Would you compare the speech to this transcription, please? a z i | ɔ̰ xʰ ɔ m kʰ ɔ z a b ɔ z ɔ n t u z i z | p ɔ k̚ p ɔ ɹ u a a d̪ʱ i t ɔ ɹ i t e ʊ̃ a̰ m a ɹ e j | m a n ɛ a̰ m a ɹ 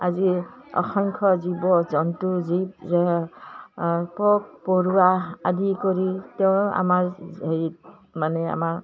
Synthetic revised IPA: a z i | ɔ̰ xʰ ɔ ŋ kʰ ɔ z i b ɔ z ɔ n t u z i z | p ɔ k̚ p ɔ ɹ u a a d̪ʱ i k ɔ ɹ i t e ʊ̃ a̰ m a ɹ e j | m a n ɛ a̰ m a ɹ